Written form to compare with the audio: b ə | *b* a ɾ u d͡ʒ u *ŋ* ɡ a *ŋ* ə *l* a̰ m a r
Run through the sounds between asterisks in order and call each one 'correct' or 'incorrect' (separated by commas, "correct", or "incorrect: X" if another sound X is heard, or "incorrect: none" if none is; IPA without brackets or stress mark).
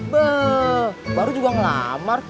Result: correct, incorrect: none, correct, correct